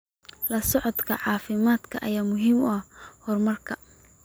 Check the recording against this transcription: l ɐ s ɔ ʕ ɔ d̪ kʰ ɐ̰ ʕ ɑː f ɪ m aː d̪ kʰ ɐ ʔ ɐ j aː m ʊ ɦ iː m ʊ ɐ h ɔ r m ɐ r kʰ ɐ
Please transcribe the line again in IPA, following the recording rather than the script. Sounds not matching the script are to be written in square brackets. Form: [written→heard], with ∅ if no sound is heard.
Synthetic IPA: l ɐ s ɔ ʕ ɔ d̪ kʰ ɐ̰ ʕ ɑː f ɪ m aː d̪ kʰ ɐ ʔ ɐ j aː m ʊ ɦ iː m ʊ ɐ h ɔ r m ɐ r kʰ ɐ